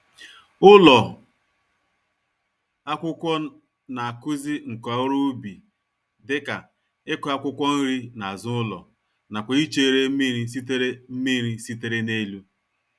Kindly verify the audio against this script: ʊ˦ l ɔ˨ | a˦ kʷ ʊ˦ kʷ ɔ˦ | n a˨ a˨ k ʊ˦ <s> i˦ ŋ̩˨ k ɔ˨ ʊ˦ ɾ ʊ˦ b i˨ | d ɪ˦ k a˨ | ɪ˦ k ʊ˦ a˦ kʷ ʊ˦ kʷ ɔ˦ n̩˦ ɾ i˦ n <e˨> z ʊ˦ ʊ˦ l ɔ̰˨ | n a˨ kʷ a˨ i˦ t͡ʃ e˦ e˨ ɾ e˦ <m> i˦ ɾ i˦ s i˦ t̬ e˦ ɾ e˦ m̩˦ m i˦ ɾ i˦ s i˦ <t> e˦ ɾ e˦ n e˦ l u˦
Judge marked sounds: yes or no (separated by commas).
no, no, yes, yes